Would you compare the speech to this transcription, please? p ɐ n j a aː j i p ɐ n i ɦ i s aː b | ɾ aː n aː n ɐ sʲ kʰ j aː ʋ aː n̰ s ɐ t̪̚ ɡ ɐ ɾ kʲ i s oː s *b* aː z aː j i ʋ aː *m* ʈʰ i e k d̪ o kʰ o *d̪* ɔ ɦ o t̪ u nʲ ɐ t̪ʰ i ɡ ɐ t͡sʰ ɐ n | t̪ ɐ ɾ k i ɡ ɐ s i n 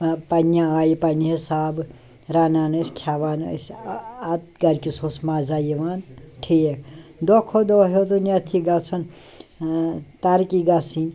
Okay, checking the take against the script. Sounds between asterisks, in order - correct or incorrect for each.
incorrect, incorrect, correct

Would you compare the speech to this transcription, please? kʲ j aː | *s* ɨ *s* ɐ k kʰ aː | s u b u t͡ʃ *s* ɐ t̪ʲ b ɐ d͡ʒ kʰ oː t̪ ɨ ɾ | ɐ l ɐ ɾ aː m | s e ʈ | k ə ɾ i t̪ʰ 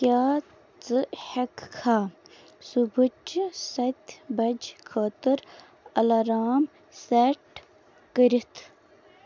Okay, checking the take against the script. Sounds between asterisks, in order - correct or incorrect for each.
incorrect, incorrect, correct

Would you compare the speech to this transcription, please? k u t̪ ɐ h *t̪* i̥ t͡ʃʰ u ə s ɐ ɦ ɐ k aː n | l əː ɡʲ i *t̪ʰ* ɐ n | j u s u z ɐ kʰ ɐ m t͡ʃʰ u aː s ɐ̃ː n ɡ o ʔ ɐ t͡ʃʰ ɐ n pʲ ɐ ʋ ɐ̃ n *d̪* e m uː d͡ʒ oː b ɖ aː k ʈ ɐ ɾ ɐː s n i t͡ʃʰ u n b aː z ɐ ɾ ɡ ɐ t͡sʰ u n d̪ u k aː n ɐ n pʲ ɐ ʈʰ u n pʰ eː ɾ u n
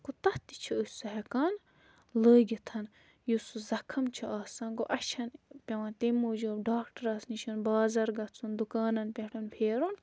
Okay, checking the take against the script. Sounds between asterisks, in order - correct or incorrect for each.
correct, correct, incorrect

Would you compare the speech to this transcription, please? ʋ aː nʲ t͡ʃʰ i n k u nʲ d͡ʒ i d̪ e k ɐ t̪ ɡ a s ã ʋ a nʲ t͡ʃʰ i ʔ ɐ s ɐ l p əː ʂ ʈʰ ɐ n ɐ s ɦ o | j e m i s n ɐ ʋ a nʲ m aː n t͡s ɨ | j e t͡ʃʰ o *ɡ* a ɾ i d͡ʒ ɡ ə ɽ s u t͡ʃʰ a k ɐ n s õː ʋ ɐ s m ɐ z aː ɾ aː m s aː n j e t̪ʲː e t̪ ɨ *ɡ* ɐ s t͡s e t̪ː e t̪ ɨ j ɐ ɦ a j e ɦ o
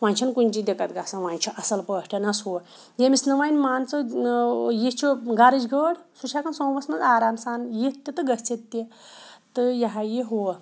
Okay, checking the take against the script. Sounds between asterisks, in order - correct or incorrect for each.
correct, correct

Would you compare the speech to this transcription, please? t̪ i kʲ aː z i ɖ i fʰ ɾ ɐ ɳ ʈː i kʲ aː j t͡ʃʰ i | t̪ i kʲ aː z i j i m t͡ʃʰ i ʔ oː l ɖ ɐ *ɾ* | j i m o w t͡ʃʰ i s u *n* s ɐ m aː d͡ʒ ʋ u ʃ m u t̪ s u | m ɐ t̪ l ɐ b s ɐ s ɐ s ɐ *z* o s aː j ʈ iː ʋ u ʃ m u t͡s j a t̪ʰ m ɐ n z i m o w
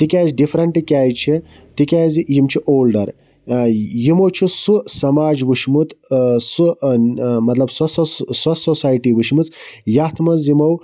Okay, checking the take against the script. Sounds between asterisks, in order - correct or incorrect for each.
correct, incorrect, incorrect

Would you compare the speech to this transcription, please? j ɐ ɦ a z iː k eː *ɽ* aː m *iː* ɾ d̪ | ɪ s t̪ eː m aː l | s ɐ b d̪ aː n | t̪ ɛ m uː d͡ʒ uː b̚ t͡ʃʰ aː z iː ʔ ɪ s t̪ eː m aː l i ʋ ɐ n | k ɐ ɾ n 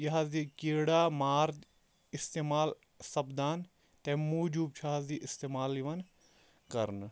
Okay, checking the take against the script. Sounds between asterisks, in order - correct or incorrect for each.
correct, incorrect

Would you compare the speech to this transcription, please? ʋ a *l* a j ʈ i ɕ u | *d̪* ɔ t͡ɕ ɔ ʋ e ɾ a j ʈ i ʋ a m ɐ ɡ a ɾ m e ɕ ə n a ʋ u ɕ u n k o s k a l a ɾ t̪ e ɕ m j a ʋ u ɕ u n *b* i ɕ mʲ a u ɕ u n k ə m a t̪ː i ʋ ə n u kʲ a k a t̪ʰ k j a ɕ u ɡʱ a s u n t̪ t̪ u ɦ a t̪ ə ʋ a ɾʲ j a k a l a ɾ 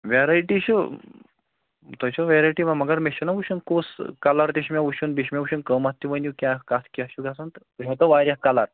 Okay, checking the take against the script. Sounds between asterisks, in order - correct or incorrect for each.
incorrect, incorrect, correct

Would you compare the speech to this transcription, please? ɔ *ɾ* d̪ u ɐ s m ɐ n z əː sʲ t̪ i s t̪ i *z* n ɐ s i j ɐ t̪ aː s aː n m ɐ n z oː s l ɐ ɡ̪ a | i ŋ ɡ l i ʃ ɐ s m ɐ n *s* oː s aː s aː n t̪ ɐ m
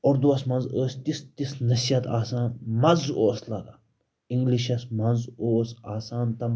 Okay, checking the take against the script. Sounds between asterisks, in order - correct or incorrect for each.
correct, incorrect, incorrect

